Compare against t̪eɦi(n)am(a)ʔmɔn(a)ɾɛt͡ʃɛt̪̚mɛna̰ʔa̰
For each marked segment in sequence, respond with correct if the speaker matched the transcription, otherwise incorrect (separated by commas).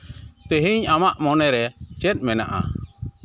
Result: incorrect, correct, incorrect